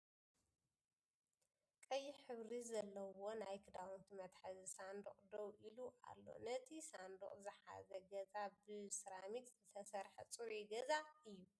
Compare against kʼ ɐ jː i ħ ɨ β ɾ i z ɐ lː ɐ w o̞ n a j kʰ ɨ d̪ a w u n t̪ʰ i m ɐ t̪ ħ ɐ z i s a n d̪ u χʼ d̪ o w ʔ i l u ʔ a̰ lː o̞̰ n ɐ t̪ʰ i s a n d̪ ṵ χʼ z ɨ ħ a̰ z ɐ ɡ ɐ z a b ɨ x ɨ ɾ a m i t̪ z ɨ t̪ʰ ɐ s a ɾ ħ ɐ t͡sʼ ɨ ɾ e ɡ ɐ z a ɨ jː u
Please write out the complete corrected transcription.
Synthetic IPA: kʼ ɐ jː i ħ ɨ β ɾ i z ɐ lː ɐ w o̞ n a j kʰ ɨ d̪ a w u n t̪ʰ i m ɐ t̪ ħ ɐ z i s a n d̪ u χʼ d̪ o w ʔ i l u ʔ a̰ lː o̞̰ n ɐ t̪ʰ i s a n d̪ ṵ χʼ z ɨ ħ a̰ z ɐ ɡ ɐ z a b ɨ s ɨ ɾ a m i t̪ z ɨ t̪ʰ ɐ s ɐ ɾ ħ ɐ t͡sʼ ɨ ɾ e ɡ ɐ z a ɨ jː u